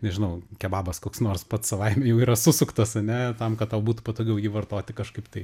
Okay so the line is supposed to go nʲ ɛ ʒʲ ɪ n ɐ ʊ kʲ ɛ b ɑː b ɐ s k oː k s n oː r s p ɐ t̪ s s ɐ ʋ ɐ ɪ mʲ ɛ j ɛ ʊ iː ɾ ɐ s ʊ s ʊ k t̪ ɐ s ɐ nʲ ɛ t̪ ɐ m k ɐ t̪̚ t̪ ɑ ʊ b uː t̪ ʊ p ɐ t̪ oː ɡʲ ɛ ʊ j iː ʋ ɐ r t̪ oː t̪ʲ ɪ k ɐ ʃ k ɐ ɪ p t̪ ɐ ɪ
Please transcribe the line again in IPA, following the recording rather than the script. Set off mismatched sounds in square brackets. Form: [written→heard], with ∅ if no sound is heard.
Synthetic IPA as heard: nʲ ɛ ʒʲ ɪ n ɐ ʊ kʲ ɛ b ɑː b ɐ s k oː k s n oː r s p ɐ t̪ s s ɐ ʋ ɐ ɪ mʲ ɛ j ɛ ʊ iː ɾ ɐ s ʊ s ʊ k t̪ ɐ s ɐ nʲ ɛ t̪ ɐ m k ɐ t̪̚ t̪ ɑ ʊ b uː t̪ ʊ p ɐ t̪ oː ɡʲ ɛ ʊ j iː ʋ ɐ r t̪ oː t̪ʲ ɪ k ɐ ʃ k ɐ ɪ p t̪ ɐ ɪ